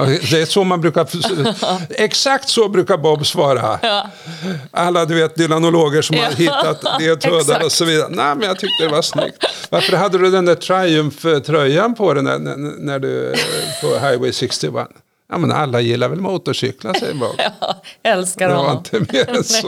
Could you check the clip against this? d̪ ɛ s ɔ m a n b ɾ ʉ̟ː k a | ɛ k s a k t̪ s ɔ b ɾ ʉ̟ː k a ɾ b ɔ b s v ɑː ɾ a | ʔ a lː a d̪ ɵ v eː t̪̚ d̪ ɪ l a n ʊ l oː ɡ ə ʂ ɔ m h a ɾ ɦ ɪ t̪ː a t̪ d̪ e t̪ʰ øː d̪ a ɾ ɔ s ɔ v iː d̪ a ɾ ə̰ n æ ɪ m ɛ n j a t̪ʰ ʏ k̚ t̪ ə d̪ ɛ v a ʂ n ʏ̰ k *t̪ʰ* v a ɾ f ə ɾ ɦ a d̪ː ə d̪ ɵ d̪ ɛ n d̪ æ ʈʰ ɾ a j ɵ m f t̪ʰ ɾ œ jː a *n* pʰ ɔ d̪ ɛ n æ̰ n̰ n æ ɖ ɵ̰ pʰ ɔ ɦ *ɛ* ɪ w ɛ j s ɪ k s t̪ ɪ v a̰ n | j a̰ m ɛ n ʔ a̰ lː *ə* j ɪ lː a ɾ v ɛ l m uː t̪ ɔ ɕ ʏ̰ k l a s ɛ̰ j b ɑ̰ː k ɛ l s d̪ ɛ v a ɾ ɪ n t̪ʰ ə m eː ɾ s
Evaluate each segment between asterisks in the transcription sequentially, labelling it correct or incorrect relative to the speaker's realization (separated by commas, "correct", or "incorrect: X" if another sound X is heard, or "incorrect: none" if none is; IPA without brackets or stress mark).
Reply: incorrect: t̪, correct, incorrect: a, incorrect: a